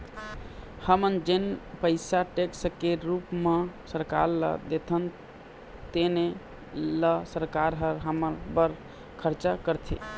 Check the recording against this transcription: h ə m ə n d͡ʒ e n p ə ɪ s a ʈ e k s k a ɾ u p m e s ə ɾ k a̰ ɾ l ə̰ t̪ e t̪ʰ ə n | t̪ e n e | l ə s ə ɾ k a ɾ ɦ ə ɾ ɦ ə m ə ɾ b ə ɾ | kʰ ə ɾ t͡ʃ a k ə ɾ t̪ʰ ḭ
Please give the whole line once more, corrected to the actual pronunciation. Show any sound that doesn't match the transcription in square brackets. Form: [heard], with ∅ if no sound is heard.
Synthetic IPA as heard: h ə m ə n d͡ʒ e n p ə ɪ s a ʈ e k s k [e] ɾ u p m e s ə ɾ k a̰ ɾ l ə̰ [d̪] e t̪ʰ ə n | t̪ e n e | l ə s ə ɾ k a ɾ ɦ ə ɾ ɦ ə m ə ɾ b ə ɾ | kʰ ə ɾ t͡ʃ a k ə ɾ t̪ʰ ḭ